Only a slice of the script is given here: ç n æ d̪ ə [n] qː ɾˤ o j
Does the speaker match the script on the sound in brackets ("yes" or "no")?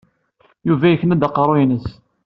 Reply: no